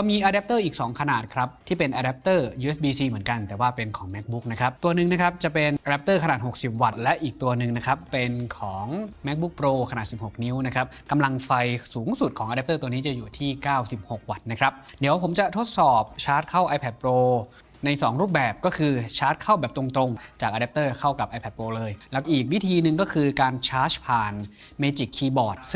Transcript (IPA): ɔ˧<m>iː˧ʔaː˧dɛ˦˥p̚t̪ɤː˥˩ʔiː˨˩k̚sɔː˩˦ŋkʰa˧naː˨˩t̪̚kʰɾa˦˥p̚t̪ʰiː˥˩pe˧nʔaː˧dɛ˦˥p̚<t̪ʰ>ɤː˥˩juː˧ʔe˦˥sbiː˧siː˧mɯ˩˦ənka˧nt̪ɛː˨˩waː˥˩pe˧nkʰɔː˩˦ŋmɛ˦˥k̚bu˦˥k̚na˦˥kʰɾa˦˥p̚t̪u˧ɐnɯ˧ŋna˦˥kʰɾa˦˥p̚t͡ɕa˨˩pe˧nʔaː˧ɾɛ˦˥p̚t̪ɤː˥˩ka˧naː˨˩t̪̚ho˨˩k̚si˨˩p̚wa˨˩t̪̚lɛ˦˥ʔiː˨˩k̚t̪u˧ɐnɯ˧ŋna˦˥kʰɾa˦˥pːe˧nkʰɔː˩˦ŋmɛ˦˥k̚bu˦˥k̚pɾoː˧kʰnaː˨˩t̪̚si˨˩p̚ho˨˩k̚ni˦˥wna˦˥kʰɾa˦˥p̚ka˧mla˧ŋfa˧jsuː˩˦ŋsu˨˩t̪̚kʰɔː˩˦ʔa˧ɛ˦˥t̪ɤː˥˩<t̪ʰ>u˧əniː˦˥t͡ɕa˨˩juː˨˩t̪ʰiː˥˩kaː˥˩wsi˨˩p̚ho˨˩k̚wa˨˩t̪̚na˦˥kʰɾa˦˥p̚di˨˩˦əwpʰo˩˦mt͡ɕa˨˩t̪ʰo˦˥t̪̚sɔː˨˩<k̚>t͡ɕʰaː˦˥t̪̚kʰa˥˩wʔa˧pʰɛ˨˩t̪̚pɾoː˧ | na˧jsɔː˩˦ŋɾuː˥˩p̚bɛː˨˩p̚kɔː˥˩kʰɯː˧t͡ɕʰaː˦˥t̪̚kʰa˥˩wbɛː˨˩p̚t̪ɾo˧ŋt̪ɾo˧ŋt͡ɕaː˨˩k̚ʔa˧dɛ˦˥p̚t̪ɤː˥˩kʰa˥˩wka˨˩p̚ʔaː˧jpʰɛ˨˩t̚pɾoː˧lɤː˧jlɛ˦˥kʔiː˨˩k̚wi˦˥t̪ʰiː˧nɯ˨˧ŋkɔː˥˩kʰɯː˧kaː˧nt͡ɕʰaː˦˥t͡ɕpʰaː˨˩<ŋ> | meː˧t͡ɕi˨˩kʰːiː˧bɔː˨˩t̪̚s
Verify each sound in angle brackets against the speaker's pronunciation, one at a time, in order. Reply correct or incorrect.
correct, incorrect: t̪, incorrect: t̪, incorrect: p̚, incorrect: n

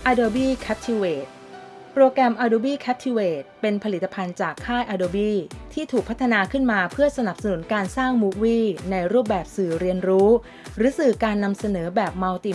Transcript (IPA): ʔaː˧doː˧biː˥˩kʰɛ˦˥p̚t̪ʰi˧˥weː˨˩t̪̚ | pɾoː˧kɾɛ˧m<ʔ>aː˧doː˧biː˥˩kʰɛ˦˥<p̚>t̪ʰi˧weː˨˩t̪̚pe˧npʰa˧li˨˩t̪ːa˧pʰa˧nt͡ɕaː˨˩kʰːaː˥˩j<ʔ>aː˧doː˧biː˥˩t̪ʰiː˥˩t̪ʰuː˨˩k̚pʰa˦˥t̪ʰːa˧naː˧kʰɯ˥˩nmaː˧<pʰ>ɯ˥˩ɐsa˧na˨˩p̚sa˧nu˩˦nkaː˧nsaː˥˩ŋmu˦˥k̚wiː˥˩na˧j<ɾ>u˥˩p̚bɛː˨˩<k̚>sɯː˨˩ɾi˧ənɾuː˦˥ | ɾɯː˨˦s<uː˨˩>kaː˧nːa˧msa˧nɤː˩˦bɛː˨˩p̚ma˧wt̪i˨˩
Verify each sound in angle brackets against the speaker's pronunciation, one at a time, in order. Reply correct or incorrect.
correct, correct, correct, correct, correct, incorrect: p̚, incorrect: ɯː˨˩

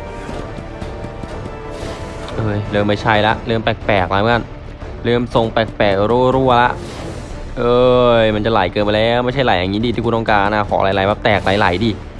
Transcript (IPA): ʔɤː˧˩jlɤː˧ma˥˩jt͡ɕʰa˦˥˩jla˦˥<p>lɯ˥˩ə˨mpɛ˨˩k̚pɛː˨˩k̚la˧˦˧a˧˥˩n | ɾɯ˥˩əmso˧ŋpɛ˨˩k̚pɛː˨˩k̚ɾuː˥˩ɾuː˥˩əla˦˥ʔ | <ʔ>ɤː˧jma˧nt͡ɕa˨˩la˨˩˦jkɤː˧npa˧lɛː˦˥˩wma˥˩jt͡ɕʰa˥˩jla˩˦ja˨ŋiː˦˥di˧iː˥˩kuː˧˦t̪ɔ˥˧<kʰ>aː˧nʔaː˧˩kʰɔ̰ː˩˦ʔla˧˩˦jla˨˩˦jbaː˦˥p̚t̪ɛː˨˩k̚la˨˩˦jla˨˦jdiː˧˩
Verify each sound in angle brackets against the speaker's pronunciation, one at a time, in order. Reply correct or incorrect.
incorrect: ʔ, correct, incorrect: k

